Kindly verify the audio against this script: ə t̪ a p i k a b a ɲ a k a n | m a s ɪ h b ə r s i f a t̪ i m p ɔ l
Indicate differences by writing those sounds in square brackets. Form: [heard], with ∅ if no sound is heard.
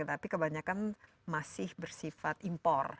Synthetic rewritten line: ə t̪ a p i k [ə] b a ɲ a k a n | m a s ɪ h b ə r s i f a t̪ i m p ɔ [r]